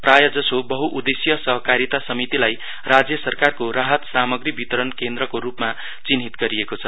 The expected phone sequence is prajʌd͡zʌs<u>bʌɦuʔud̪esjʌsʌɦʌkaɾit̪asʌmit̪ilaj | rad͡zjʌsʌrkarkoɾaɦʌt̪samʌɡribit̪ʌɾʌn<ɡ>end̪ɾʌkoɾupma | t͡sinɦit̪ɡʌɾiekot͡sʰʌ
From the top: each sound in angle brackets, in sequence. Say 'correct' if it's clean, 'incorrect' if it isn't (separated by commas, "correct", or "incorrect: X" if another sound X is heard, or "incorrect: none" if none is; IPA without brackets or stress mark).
incorrect: o, incorrect: k